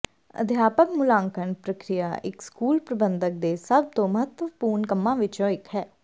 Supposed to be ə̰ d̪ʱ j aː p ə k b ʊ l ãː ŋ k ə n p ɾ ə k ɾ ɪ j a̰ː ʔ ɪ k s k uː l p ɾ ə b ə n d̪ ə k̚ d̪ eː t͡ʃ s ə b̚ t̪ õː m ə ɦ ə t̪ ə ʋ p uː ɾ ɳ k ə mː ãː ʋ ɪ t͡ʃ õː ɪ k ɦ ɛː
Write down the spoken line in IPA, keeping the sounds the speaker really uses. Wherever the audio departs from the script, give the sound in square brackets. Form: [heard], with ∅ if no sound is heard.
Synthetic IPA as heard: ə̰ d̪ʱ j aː p ə k [m] ʊ l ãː ŋ k ə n p ɾ ə k ɾ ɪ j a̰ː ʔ ɪ k s k uː l p ɾ ə b ə n d̪ ə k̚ d̪ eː [∅] s ə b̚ t̪ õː m ə ɦ ə t̪ ə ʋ p uː ɾ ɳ k ə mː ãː ʋ ɪ t͡ʃ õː ɪ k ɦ ɛː